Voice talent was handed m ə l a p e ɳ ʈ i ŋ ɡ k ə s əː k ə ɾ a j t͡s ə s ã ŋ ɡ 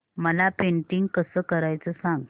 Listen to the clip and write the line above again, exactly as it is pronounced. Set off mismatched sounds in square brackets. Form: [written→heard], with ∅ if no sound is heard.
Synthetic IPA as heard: m ə l a p e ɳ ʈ i ŋ ɡ k ə s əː k ə ɾ a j t͡s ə s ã ŋ ɡ